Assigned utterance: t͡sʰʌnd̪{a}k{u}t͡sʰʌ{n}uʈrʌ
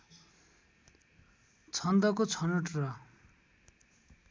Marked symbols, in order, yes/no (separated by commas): no, no, yes